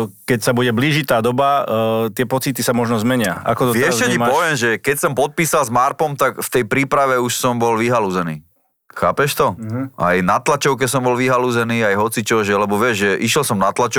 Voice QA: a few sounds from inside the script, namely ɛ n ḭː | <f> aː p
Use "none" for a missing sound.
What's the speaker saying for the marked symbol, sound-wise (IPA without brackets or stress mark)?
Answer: x